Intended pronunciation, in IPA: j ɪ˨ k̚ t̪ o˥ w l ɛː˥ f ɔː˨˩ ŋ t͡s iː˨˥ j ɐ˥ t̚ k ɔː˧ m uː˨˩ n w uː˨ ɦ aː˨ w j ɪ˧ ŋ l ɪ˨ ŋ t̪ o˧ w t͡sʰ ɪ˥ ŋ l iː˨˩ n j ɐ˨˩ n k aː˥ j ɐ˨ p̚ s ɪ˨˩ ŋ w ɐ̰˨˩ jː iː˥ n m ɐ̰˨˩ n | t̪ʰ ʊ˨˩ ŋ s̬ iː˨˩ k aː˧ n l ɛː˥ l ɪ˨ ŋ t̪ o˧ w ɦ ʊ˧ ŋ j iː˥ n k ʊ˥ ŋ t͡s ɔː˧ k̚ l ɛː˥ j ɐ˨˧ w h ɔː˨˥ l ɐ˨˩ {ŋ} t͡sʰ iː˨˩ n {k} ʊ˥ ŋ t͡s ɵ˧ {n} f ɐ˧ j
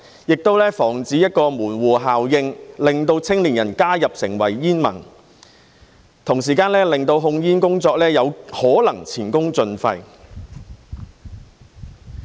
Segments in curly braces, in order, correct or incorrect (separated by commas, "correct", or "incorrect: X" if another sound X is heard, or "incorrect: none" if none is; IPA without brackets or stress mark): correct, correct, correct